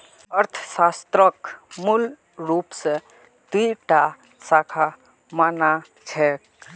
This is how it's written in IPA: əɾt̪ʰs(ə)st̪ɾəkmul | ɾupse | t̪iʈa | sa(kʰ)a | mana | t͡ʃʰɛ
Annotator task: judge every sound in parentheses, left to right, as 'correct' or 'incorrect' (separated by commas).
incorrect, correct